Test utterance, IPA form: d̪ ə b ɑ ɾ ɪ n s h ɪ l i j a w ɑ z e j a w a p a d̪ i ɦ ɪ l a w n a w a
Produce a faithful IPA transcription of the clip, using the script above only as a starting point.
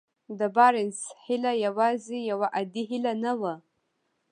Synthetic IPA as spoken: d̪ ə b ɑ ɾ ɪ n s h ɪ l a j a w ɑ z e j a w a ʔ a d̪ i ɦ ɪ l a n a w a

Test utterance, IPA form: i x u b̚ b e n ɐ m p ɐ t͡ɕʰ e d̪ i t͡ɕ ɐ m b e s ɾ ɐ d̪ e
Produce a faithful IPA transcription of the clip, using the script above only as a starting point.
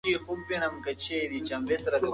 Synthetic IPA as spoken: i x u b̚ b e n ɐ m k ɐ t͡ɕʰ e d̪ i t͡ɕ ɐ m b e s ɾ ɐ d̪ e

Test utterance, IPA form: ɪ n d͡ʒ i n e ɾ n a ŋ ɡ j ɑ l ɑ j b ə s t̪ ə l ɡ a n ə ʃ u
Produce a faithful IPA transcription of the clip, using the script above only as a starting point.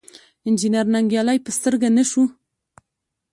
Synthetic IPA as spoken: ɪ n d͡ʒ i n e ɾ n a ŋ ɡ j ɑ l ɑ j p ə s t̪ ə ɾ ɡ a n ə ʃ u

